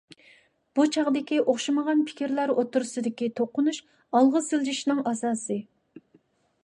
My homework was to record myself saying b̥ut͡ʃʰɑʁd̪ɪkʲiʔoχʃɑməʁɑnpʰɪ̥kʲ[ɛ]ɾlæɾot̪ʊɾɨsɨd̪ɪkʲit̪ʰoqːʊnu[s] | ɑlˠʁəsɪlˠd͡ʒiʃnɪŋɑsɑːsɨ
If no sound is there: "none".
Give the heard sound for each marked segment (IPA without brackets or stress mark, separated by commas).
i, ʃ